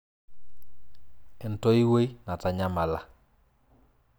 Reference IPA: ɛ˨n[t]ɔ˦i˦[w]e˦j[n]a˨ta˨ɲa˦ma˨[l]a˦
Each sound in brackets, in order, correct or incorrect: correct, correct, correct, correct

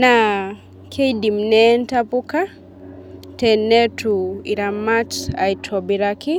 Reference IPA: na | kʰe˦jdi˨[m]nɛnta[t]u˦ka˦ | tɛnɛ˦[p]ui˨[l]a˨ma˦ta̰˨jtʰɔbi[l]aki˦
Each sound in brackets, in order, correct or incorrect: correct, incorrect, incorrect, incorrect, incorrect

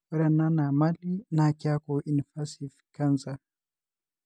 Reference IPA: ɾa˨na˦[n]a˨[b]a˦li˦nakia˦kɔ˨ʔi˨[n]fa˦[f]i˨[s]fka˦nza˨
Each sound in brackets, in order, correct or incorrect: correct, incorrect, correct, incorrect, incorrect

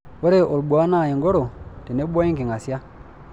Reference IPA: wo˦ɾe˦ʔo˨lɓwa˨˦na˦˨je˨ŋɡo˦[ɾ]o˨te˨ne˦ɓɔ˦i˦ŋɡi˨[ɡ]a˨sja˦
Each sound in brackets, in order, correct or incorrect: correct, incorrect

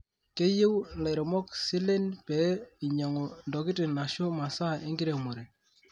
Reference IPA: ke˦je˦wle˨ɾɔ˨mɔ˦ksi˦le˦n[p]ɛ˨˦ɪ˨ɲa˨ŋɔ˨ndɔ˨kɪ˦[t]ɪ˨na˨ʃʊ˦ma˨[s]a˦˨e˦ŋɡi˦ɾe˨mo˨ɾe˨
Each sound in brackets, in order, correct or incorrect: correct, correct, correct

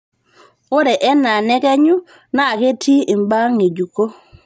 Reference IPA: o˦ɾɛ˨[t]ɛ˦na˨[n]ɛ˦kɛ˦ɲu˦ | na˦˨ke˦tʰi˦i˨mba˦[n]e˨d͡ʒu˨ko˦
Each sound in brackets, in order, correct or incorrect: incorrect, correct, incorrect

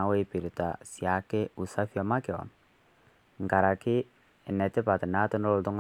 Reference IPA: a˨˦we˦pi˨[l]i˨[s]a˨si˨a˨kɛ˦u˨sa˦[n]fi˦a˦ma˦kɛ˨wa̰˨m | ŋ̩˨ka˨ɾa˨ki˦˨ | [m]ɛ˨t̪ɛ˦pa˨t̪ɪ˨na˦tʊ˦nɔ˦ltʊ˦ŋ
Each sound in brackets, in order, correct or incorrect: incorrect, incorrect, incorrect, incorrect

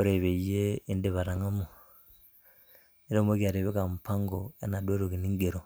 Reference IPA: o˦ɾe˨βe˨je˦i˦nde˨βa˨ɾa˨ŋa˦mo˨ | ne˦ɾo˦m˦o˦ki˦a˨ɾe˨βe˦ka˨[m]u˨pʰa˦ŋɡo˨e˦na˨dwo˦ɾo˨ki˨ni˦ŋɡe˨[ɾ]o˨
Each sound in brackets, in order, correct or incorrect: correct, correct

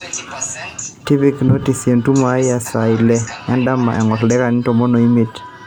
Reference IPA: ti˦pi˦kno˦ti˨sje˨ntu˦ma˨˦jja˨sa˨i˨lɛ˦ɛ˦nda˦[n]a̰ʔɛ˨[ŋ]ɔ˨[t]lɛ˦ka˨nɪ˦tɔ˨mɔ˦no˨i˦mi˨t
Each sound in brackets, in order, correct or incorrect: incorrect, correct, correct

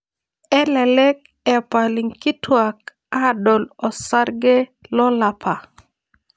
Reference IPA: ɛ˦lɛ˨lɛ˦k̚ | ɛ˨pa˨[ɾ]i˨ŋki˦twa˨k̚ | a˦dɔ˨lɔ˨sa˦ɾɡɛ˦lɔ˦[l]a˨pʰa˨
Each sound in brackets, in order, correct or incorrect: incorrect, correct

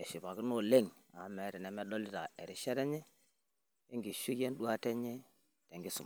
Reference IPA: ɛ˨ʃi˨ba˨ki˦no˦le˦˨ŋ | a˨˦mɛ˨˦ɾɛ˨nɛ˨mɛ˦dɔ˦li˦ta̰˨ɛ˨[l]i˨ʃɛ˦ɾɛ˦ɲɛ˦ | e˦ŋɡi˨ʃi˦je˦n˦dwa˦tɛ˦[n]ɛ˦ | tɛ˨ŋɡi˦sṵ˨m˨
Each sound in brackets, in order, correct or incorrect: incorrect, incorrect

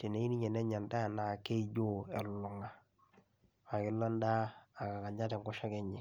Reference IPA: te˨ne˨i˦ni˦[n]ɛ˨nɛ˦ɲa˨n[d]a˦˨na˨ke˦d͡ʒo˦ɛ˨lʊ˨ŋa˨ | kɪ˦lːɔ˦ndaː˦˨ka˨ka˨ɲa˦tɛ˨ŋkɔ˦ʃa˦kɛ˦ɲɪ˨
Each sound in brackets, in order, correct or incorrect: incorrect, correct

